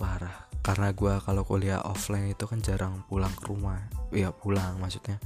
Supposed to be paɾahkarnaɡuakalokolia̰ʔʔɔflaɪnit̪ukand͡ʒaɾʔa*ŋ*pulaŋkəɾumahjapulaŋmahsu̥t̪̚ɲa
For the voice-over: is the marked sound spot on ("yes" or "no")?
yes